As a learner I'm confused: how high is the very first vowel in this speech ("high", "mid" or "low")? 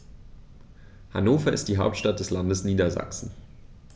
low